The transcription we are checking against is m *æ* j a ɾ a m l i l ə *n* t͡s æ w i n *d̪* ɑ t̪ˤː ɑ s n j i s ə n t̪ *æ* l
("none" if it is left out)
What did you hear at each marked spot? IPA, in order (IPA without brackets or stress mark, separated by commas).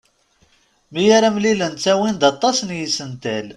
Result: i, n, d̪, æ